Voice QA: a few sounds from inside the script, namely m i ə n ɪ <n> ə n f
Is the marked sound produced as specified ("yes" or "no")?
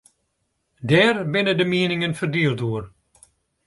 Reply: no